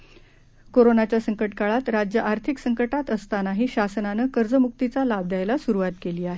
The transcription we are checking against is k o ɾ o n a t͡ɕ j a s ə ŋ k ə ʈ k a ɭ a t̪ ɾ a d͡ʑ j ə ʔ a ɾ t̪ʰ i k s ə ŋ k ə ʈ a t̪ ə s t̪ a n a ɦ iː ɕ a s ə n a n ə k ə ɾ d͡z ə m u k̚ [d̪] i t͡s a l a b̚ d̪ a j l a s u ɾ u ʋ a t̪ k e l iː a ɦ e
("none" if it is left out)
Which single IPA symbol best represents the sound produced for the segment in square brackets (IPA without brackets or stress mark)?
t̪